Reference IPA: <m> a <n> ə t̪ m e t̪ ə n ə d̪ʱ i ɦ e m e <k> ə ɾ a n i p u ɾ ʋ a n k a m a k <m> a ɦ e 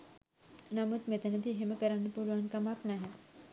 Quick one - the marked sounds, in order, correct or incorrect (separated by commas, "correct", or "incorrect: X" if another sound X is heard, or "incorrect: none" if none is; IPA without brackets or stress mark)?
incorrect: n, incorrect: m, correct, incorrect: n